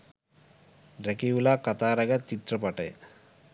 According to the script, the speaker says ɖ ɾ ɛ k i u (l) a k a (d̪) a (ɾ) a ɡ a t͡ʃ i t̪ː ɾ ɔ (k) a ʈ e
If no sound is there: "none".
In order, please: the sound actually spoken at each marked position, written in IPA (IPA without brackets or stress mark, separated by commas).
l, t̪, ɾ, p